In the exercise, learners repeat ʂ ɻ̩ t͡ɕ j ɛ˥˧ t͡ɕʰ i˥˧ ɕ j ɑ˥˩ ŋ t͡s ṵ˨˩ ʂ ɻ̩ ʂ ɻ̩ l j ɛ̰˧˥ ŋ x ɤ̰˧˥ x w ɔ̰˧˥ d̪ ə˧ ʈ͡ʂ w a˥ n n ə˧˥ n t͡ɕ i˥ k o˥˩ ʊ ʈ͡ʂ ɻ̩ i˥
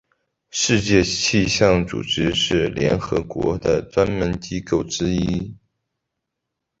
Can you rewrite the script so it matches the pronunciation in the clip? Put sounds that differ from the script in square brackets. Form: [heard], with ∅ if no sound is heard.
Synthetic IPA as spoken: ʂ ɻ̩ t͡ɕ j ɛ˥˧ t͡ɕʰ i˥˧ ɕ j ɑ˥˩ ŋ t͡s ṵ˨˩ [ʈ͡ʂ] ɻ̩ ʂ ɻ̩ l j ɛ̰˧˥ [n] x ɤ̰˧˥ [k] w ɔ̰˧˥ d̪ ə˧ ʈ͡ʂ w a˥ n [m] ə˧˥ n t͡ɕ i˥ k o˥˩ ʊ ʈ͡ʂ ɻ̩ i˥